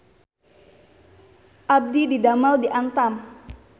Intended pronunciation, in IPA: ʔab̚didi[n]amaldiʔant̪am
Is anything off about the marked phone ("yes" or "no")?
yes